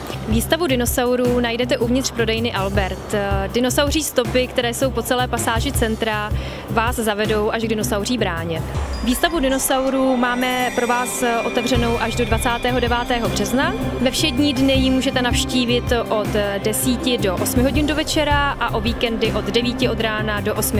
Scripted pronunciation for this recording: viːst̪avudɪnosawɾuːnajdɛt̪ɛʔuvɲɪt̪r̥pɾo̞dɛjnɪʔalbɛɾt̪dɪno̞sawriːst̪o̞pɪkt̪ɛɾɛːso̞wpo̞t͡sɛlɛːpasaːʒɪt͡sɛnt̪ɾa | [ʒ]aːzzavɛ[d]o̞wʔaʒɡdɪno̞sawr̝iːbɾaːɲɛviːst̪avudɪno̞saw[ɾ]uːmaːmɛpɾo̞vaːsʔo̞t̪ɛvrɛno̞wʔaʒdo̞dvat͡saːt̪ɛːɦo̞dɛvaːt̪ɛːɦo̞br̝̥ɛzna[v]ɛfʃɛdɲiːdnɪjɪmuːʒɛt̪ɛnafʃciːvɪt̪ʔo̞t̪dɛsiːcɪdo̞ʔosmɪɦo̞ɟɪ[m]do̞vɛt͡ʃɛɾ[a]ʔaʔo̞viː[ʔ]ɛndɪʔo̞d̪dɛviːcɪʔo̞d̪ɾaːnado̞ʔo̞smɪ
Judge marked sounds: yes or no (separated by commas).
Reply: no, yes, yes, yes, no, yes, no